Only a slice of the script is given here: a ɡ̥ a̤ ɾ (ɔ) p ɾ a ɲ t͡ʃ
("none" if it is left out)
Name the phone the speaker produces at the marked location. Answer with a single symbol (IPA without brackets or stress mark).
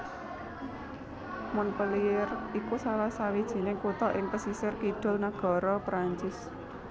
ɔ